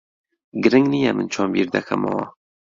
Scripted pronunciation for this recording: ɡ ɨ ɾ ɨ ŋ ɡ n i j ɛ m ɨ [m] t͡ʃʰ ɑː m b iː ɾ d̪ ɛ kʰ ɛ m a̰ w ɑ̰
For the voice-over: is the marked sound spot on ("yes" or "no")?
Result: no